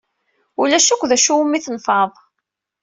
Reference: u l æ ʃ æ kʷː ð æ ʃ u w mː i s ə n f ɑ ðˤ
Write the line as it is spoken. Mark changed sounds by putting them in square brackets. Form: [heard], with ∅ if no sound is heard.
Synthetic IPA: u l æ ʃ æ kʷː ð æ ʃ u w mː i [θ] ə n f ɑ ðˤ